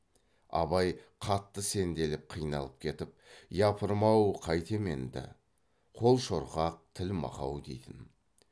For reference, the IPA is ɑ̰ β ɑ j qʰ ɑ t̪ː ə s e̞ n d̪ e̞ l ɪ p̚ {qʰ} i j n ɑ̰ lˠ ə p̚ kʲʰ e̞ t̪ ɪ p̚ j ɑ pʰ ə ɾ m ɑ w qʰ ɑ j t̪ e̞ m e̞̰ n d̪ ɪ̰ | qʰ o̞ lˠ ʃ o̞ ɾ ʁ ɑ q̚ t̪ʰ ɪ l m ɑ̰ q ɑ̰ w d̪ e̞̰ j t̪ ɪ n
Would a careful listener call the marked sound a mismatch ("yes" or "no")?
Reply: no